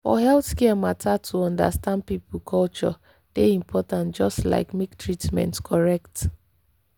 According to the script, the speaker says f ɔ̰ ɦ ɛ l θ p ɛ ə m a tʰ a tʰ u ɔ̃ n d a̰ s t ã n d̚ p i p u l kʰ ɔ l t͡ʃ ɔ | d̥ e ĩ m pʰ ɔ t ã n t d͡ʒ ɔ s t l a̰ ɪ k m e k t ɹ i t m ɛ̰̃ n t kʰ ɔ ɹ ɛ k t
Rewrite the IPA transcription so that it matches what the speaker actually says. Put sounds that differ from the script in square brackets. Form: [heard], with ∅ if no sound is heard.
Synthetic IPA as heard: f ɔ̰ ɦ ɛ l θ [k] ɛ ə m a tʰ a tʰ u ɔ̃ n d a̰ s t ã n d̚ p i p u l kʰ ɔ l t͡ʃ ɔ | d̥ e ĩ m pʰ ɔ t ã n t d͡ʒ ɔ s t l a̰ ɪ k m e k t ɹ i t m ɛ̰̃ n t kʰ ɔ ɹ ɛ k t